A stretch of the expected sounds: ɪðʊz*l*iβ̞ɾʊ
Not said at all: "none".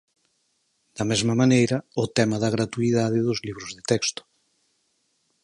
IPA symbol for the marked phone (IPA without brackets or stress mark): l